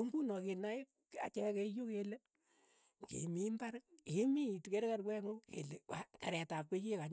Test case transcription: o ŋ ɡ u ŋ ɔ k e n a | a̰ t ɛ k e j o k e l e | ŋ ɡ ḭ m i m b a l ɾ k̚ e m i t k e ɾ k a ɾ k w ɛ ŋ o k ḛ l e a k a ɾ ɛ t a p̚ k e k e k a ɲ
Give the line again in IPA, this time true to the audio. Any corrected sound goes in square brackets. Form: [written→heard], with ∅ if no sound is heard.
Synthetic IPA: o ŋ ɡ u [ŋ→n] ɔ k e n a | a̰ [t→t͡ʃ] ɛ k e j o k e l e | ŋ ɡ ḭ m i m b a [l→∅] ɾ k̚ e m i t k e ɾ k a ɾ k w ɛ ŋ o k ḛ l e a k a ɾ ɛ t a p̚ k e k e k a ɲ